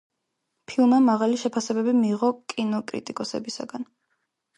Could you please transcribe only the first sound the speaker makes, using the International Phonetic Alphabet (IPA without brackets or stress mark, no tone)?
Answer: pʰ